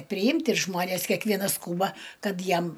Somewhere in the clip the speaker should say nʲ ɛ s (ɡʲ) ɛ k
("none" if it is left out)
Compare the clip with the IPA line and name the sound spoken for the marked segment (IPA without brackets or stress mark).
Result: kʲ